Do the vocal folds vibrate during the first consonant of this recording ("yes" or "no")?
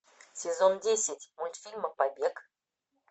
no